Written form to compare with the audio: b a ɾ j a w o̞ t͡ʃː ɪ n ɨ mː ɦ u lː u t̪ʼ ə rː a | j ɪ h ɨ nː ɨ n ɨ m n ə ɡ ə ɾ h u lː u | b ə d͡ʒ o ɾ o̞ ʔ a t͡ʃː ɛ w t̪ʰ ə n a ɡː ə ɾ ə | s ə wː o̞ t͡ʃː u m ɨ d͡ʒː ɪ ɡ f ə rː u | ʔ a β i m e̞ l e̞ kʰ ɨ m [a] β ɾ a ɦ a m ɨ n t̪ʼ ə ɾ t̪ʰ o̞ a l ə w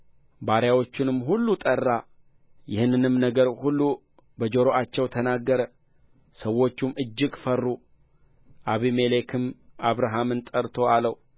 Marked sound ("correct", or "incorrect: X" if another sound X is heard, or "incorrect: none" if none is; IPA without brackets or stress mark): correct